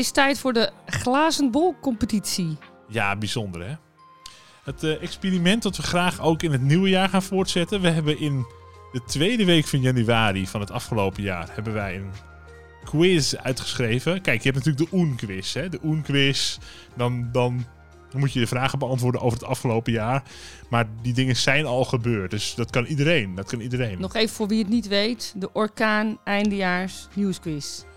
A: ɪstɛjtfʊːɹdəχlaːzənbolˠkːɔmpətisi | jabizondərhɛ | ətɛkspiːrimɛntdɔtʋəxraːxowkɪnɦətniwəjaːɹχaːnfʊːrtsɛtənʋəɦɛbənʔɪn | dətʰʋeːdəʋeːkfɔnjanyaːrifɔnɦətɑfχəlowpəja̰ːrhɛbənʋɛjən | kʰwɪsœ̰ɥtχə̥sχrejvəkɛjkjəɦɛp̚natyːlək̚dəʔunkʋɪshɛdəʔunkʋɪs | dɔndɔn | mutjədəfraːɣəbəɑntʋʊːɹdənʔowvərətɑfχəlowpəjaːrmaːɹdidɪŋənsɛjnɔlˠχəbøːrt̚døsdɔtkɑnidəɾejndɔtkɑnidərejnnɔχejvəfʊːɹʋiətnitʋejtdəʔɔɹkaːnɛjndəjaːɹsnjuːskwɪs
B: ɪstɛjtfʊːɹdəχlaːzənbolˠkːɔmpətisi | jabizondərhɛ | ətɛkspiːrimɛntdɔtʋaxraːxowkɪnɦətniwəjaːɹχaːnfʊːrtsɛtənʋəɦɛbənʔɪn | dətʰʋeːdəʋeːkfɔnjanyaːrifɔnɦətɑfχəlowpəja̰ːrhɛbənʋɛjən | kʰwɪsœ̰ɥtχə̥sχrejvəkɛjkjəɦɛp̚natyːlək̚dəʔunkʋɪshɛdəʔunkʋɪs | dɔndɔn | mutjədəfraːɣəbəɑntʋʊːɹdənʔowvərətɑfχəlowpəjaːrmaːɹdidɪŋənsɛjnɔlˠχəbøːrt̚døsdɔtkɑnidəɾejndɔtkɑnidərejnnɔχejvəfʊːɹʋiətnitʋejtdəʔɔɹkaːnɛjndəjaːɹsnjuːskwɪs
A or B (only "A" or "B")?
A